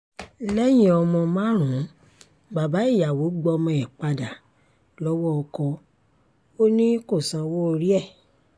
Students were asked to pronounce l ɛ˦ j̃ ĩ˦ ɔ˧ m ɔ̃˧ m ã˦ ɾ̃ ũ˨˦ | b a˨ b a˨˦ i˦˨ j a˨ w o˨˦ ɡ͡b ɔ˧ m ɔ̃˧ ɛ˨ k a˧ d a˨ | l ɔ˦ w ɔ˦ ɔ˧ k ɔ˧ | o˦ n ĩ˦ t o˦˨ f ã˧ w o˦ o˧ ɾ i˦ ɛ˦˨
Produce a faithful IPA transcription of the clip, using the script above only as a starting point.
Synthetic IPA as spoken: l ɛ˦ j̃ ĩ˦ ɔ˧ m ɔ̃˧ m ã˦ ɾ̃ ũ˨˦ | b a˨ b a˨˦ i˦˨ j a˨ w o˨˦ ɡ͡b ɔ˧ m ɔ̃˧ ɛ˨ k͡p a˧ d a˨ | l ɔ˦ w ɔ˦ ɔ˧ k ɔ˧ | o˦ n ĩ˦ k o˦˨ s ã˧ w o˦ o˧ ɾ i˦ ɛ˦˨

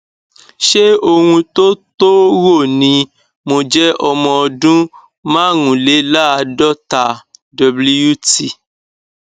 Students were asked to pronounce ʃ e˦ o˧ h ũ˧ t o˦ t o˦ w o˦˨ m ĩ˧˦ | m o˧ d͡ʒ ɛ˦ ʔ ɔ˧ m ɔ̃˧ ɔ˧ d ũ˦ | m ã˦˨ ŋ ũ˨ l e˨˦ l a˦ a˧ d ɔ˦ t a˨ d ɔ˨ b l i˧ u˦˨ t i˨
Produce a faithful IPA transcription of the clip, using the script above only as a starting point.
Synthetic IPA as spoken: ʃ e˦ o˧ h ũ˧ t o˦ t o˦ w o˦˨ n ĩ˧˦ | m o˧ d͡ʒ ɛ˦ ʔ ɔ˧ m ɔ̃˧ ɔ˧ d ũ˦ | m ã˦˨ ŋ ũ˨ l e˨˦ l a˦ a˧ d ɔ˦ t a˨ d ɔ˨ b l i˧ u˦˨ t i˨

